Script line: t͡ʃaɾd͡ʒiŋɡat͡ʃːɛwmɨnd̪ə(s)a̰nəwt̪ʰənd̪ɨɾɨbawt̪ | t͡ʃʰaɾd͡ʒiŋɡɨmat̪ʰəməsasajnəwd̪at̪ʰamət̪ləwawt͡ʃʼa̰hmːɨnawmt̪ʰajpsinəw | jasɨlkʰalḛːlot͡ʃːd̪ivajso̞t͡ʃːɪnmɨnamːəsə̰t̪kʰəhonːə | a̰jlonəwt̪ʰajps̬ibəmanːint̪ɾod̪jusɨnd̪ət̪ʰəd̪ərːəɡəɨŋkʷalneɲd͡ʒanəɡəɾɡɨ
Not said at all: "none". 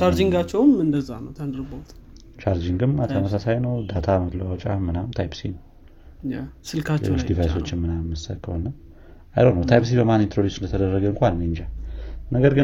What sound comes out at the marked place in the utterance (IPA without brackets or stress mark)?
z